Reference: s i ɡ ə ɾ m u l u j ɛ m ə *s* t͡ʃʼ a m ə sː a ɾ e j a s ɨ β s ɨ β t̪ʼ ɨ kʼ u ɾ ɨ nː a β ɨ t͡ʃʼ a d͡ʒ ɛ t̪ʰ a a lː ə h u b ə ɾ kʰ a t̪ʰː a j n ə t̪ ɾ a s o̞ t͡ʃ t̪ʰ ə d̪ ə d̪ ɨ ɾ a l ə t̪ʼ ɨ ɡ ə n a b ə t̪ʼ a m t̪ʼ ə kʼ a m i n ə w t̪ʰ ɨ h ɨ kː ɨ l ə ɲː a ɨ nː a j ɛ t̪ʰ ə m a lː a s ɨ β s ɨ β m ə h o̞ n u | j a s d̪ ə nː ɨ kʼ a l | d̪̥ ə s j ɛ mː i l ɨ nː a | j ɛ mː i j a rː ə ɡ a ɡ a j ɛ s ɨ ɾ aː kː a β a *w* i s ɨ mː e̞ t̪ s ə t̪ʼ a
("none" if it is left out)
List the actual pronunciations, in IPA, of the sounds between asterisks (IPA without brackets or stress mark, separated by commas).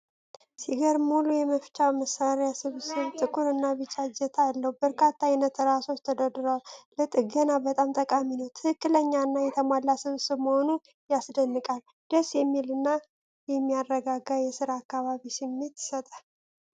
f, β